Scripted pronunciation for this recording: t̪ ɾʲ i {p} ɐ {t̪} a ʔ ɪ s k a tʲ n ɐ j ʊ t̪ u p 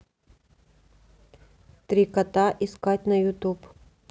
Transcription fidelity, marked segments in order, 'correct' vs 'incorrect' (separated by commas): incorrect, correct